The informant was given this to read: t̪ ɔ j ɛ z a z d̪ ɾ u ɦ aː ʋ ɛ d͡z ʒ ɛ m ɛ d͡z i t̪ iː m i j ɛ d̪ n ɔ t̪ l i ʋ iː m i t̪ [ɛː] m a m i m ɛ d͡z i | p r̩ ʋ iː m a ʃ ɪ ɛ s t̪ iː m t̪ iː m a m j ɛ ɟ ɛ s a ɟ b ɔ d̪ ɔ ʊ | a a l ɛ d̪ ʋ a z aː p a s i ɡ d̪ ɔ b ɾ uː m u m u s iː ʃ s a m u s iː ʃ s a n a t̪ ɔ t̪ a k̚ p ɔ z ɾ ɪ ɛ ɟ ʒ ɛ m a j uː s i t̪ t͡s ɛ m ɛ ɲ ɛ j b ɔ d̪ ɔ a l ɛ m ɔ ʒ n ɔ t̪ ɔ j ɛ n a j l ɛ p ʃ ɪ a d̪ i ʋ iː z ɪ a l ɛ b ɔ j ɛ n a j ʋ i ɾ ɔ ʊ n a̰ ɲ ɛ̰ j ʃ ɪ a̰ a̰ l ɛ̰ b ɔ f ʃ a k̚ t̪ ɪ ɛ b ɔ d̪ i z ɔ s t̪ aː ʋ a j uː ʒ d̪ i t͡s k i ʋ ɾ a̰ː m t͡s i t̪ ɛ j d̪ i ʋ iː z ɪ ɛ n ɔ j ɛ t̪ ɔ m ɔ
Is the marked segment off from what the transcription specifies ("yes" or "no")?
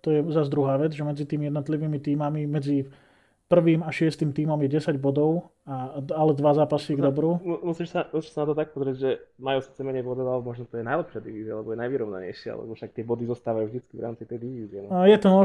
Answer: yes